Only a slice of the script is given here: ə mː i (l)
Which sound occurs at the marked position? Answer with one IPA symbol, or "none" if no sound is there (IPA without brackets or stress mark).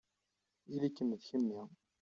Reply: none